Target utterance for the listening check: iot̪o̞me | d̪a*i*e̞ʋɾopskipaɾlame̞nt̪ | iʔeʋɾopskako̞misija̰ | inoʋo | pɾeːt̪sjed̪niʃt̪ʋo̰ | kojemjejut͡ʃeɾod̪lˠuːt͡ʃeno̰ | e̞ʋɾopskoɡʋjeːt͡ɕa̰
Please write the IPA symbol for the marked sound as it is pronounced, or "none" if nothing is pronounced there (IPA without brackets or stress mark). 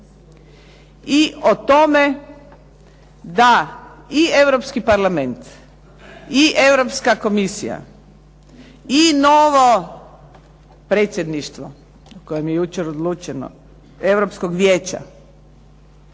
i